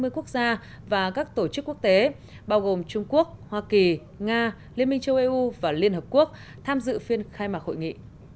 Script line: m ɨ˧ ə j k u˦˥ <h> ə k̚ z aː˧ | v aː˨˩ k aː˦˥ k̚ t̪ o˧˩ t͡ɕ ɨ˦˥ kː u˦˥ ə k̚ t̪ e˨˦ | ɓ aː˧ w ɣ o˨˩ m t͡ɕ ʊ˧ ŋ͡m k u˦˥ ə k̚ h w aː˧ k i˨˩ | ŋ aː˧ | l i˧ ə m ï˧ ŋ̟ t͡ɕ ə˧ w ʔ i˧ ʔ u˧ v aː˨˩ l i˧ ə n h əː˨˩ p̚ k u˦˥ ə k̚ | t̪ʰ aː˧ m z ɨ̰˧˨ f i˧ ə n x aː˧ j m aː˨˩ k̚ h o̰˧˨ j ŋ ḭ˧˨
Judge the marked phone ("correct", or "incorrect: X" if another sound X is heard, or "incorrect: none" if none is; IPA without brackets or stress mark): incorrect: none